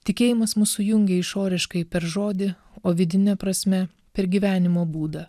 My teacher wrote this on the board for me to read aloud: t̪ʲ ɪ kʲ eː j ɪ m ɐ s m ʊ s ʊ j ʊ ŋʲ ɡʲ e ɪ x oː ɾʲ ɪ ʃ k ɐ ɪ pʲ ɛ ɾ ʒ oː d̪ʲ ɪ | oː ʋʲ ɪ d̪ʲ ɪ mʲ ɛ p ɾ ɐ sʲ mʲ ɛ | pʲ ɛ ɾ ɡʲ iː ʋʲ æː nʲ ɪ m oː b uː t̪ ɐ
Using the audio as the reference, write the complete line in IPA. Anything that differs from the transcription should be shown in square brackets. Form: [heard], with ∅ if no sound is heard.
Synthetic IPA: t̪ʲ ɪ kʲ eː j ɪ m ɐ s m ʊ s ʊ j ʊ ŋʲ ɡʲ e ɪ [ʃ] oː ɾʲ ɪ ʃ k ɐ ɪ pʲ ɛ ɾ ʒ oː d̪ʲ ɪ | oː ʋʲ ɪ d̪ʲ ɪ [nʲ] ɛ p ɾ ɐ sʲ mʲ ɛ | pʲ ɛ ɾ ɡʲ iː ʋʲ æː nʲ ɪ m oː b uː [d̪] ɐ